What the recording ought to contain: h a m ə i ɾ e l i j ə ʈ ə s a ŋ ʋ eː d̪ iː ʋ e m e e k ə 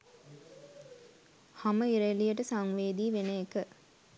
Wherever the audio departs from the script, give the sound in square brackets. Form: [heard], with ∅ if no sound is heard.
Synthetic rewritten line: h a m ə i ɾ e l i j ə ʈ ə s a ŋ ʋ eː d̪ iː ʋ e [n] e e k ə